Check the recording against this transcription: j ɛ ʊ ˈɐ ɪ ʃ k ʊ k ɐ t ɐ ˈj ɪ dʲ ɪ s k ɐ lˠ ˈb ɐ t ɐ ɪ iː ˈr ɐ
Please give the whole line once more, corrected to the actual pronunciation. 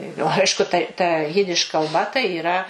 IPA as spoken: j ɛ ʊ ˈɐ ɪ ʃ k ʊ t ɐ t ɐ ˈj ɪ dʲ ɪ ʃ k ɐ lˠ ˈb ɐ t ɐ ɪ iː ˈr ɐ